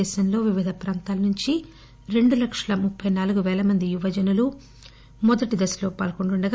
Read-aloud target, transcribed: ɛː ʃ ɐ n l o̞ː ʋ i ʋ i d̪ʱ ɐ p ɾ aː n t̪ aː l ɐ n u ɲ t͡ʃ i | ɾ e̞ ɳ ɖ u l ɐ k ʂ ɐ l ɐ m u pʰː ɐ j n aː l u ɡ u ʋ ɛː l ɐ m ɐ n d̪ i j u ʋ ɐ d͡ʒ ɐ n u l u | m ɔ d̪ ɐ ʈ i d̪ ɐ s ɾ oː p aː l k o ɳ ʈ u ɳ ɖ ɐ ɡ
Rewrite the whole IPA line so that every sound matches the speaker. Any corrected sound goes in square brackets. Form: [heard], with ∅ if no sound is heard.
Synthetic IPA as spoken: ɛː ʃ ɐ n l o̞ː ʋ i ʋ i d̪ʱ ɐ p ɾ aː n t̪ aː l ɐ n u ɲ t͡ʃ i | ɾ e̞ ɳ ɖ u l ɐ k ʂ ɐ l ɐ m u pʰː ɐ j n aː l u ɡ u ʋ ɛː l ɐ m ɐ n d̪ i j u ʋ ɐ d͡ʒ ɐ n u l u | m ɔ d̪ ɐ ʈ i d̪ ɐ s [l] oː p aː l k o ɳ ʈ u ɳ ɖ ɐ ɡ

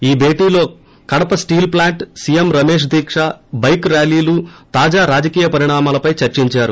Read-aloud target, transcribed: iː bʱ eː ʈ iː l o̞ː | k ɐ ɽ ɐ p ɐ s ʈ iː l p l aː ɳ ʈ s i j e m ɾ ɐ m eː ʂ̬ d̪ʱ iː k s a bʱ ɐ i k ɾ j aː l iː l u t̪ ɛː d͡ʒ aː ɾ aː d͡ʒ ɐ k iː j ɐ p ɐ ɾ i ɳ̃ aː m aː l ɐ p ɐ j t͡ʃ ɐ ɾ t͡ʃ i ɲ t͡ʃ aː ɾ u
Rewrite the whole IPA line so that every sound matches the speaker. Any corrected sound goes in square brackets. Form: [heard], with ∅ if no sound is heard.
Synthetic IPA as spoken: iː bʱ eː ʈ iː l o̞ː | k ɐ ɽ ɐ p ɐ s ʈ iː l p l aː ɳ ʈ s i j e m ɾ ɐ m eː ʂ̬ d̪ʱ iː k [ʂ] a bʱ ɐ [j] k ɾ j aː l iː l u t̪ [aː] d͡ʒ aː ɾ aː d͡ʒ ɐ k iː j ɐ p ɐ ɾ i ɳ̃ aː m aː l ɐ p ɐ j t͡ʃ ɐ ɾ t͡ʃ i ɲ t͡ʃ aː ɾ u

